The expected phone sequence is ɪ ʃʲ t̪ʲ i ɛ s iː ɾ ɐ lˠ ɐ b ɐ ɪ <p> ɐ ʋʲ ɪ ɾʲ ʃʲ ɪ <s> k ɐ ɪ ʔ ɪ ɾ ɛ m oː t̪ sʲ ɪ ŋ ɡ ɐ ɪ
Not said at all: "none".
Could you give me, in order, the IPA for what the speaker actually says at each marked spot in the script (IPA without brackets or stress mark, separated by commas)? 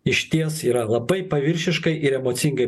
p, ʃ